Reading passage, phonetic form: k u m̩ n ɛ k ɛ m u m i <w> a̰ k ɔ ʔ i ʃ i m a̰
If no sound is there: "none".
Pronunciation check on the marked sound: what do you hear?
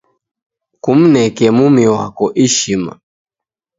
w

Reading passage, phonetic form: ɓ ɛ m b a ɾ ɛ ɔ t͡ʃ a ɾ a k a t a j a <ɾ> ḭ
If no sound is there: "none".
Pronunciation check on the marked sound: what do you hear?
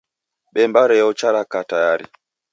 ɾ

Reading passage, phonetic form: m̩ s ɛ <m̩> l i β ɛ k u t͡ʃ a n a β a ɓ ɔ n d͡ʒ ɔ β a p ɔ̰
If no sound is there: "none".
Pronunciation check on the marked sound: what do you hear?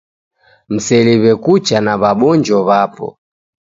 none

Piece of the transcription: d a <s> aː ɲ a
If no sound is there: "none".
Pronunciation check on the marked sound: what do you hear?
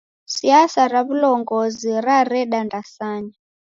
s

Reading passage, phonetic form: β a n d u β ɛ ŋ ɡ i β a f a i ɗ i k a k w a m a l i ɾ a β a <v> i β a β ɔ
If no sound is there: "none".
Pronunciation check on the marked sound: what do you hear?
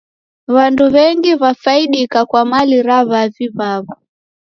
v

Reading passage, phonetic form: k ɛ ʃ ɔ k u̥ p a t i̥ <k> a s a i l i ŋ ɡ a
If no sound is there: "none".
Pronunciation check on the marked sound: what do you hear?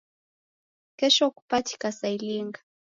k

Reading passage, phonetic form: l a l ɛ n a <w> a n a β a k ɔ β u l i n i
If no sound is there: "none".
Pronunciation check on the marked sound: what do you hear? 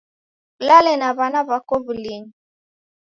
β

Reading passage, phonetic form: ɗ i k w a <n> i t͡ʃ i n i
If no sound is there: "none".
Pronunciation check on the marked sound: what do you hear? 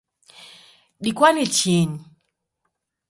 n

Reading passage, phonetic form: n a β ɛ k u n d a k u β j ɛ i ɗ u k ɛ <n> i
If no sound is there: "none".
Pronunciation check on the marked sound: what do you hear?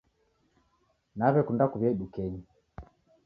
ɲ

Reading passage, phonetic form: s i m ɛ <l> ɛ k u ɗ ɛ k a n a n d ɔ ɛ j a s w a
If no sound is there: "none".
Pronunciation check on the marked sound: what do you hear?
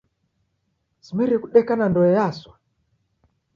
ɾ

